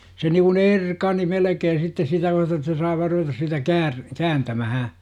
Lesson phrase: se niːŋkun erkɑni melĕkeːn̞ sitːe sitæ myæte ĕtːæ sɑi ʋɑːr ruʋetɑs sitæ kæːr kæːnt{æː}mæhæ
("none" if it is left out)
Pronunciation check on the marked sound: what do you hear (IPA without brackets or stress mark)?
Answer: æ